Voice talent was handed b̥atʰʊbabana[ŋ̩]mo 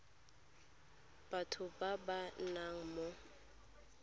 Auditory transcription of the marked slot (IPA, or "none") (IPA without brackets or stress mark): ŋ̩